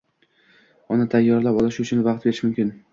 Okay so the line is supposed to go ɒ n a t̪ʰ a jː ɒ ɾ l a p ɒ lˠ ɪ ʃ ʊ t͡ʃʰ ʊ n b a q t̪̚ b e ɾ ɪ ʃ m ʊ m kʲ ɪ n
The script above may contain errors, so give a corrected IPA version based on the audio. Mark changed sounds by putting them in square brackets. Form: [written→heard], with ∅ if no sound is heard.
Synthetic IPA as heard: ɒ n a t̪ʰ a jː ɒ ɾ l a p ɒ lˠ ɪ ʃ ʊ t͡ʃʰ ʊ n [b→v] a q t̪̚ b e ɾ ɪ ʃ m ʊ m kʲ ɪ n